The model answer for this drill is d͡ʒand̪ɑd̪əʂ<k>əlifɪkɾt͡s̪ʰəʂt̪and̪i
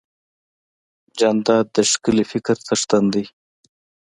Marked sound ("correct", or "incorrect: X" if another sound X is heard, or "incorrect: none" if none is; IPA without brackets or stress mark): correct